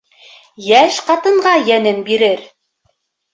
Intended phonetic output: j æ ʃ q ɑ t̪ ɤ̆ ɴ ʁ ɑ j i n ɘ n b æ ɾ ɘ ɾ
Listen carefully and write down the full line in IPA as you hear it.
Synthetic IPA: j æ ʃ q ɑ t̪ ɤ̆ ɴ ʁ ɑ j æ n ɘ n b i ɾ ɘ ɾ